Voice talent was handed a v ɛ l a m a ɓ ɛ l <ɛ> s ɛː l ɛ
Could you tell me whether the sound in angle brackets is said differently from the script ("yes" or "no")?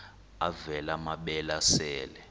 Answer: yes